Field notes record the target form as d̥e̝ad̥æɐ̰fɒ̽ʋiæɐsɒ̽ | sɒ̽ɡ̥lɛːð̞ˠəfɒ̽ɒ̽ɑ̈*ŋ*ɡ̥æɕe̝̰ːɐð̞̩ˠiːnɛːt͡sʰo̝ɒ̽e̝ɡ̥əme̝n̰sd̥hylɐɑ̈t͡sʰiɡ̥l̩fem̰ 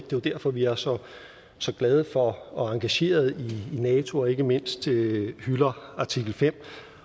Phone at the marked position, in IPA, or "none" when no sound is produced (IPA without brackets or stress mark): ŋ